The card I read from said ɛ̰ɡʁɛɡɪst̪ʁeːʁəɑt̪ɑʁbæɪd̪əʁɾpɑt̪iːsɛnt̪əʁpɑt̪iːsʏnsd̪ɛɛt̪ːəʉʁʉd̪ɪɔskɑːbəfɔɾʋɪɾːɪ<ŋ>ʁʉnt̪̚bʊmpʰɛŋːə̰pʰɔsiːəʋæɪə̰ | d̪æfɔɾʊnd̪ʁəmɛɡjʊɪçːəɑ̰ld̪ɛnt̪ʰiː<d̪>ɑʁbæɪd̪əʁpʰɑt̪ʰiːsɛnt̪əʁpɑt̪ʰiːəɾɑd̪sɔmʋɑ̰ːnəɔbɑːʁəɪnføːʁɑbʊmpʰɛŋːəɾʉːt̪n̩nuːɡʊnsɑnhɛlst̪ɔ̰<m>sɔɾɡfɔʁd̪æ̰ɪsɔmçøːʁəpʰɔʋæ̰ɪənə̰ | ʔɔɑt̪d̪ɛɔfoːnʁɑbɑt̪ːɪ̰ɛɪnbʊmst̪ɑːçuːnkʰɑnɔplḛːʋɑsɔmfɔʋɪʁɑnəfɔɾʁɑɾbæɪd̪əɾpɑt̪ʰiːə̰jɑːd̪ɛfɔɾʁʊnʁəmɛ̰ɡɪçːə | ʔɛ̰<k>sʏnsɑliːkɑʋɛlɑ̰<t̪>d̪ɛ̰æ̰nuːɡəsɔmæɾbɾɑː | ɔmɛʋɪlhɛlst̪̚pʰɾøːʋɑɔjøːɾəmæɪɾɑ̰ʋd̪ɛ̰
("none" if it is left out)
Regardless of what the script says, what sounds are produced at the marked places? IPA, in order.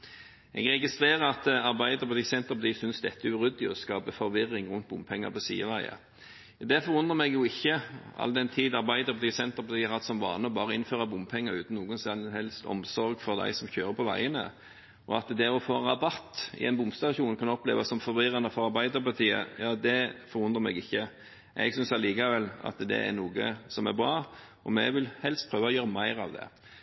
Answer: ŋ, d̪, m, ɡ, t̪

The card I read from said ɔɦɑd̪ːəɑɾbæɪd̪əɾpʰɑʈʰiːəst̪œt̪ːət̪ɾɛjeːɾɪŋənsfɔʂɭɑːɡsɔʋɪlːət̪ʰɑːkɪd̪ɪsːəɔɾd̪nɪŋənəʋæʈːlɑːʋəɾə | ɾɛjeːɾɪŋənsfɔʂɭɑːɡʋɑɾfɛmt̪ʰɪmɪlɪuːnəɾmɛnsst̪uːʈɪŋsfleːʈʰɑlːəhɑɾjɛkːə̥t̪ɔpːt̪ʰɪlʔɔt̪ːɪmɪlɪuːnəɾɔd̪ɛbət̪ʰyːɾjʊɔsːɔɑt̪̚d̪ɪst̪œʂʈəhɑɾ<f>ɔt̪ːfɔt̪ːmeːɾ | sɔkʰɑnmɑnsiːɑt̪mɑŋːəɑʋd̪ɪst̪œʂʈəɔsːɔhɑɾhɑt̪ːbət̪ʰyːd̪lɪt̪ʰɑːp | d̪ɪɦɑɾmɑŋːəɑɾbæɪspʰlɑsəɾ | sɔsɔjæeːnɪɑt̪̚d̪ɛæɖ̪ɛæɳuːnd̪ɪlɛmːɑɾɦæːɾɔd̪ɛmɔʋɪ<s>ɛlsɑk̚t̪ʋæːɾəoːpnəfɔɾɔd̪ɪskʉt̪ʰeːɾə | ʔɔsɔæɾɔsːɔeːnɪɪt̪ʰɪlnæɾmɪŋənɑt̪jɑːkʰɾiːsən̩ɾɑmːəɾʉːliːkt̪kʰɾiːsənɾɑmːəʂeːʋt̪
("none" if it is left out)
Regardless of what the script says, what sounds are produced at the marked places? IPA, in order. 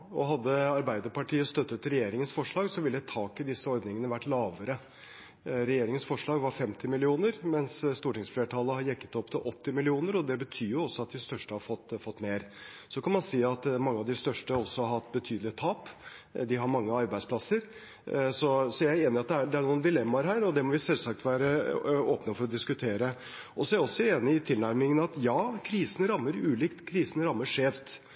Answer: f, s

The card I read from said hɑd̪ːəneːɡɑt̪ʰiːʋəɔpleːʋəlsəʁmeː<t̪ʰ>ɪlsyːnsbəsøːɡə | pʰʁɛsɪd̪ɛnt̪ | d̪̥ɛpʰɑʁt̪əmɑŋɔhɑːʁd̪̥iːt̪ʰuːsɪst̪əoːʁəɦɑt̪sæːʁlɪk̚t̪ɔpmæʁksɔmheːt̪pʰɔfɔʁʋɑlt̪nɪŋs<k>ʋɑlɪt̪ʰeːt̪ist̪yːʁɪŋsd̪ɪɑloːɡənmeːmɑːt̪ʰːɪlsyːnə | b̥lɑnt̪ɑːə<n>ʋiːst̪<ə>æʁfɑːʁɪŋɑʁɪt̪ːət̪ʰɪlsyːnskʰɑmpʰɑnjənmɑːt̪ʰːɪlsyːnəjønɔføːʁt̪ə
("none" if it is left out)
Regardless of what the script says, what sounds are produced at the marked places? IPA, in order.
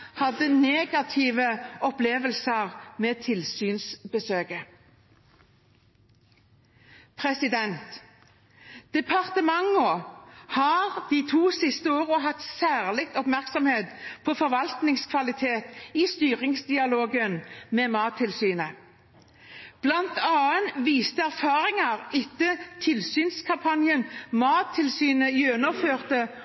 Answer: t̪ʰ, kʰ, n, ə

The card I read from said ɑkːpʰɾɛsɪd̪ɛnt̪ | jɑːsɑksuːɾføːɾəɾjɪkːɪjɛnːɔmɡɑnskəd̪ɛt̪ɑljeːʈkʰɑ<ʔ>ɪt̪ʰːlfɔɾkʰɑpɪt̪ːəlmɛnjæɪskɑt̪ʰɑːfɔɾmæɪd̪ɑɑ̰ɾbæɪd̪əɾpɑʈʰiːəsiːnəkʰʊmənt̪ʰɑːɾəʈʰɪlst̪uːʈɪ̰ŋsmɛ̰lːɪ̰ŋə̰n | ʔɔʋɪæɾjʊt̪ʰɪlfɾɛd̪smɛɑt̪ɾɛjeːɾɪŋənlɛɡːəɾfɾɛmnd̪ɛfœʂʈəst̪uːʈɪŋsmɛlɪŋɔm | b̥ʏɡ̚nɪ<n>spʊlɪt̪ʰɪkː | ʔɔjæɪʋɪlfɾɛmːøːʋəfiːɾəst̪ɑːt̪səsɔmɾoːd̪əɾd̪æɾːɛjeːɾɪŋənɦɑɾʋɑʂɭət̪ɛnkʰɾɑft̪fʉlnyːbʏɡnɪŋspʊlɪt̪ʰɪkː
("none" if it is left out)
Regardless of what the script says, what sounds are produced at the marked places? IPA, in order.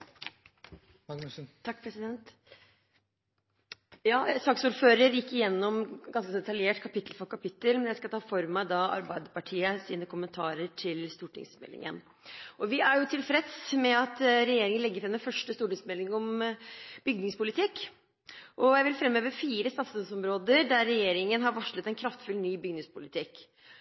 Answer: p, ŋ

